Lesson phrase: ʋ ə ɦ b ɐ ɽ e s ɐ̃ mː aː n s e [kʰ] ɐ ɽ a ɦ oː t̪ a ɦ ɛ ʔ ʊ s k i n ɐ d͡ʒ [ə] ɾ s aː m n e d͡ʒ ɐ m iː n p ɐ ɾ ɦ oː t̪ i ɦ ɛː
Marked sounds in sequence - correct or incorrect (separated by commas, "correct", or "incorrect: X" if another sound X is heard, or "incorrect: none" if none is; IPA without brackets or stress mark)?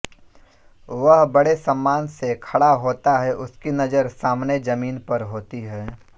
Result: correct, correct